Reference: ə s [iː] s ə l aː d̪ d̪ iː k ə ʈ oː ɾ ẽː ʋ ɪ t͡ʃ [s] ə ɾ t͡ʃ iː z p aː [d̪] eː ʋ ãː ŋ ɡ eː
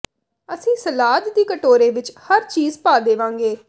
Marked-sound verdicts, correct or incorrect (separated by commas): incorrect, incorrect, correct